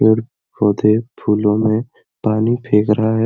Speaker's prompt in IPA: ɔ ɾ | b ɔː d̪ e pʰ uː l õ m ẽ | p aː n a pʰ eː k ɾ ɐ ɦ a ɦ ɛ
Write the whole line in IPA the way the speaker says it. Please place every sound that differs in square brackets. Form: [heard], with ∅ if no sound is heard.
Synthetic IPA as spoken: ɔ ɾ | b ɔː d̪ e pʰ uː l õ m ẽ | p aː n [i] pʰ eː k ɾ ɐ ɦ a ɦ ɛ